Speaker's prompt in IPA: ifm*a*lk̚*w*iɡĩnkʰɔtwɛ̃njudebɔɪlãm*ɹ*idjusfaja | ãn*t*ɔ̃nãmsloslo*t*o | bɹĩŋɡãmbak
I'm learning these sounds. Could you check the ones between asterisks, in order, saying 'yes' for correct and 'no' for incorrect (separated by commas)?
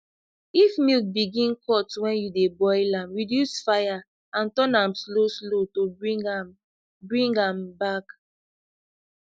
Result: no, no, yes, yes, yes